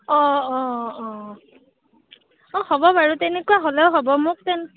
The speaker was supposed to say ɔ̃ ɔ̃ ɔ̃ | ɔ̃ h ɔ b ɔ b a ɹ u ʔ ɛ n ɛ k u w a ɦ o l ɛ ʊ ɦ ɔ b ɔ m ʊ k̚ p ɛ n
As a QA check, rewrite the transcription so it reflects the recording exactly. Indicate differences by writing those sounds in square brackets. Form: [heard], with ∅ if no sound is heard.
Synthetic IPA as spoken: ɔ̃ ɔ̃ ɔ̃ | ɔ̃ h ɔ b ɔ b a ɹ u [t] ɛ n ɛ k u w a ɦ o l ɛ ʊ ɦ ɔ b ɔ m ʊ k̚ [t] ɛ n